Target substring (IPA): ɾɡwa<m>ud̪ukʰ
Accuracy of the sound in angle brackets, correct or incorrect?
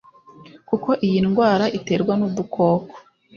incorrect